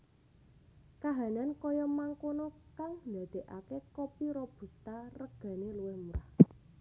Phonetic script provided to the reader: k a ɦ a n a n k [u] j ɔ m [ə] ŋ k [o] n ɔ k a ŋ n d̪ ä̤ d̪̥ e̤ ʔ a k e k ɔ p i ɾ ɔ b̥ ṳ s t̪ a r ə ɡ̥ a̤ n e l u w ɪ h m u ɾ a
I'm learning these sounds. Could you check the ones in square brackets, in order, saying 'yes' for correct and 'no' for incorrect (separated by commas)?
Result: no, no, yes